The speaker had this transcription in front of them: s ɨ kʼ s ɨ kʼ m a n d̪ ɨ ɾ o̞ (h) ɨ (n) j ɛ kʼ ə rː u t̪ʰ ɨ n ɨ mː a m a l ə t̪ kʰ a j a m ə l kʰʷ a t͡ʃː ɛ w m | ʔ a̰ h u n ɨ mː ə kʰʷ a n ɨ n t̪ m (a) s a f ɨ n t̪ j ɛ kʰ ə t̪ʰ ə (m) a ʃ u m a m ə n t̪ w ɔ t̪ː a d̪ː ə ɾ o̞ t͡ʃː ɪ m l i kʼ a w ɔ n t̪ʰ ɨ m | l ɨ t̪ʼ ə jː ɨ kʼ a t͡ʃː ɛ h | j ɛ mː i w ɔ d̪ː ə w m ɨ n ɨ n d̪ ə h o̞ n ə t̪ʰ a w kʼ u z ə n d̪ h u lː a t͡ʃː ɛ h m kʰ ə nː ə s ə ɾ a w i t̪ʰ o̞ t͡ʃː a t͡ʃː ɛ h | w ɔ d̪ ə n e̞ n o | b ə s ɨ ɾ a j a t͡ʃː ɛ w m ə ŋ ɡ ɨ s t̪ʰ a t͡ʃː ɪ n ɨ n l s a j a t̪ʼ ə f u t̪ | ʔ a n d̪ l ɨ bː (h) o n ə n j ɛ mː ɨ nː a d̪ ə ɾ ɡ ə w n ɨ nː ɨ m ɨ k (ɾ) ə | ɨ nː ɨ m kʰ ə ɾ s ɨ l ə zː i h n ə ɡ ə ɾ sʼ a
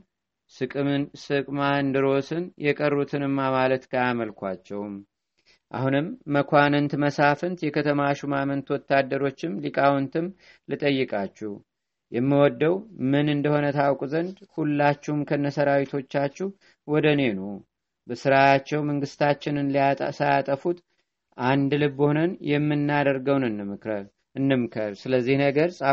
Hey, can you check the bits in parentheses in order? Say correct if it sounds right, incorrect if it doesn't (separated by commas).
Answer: incorrect, correct, incorrect, correct, correct, correct